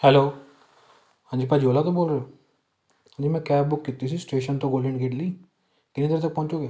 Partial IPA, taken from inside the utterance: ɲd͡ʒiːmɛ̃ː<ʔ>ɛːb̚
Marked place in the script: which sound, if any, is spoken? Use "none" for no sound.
k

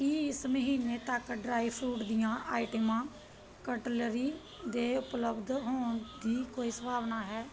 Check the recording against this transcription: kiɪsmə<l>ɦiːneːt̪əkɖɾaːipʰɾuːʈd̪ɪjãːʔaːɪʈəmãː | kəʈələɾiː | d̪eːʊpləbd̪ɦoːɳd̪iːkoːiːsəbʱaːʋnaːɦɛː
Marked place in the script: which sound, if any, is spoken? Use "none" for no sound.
none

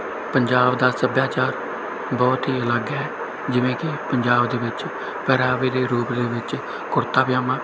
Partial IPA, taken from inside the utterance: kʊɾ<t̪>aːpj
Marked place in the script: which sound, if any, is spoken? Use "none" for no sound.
t̪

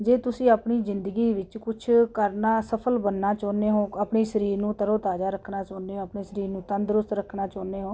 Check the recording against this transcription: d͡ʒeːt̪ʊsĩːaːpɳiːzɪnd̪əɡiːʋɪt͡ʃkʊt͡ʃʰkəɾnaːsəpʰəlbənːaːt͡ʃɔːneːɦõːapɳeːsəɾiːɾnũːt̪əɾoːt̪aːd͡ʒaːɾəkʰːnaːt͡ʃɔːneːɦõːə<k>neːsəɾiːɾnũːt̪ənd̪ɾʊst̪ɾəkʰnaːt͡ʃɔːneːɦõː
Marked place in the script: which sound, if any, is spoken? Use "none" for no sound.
p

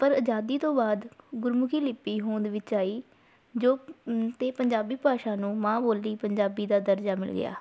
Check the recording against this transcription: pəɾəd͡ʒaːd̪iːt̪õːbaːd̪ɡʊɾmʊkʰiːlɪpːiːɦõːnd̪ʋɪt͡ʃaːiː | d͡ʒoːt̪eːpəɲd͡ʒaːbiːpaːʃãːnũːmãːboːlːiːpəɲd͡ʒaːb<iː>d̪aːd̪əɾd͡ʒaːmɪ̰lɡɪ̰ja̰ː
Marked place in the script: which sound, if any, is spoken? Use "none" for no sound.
iː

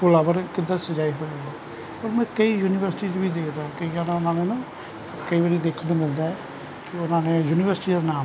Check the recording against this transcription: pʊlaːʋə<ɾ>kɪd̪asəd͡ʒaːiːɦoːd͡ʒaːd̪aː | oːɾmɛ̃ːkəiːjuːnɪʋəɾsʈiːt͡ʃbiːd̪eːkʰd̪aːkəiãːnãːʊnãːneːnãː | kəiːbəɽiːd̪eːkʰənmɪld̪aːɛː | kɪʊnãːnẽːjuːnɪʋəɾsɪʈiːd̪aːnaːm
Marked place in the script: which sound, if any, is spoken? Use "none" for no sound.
ɾ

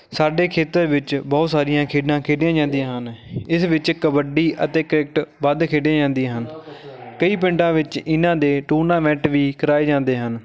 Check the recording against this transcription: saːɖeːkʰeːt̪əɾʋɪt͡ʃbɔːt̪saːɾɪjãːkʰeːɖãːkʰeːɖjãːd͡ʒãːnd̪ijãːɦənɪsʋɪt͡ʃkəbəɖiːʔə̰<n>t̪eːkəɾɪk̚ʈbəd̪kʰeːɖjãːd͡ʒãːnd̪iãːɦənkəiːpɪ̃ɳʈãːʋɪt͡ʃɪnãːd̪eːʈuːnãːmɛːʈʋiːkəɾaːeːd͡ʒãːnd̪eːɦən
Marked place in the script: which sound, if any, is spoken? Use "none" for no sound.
none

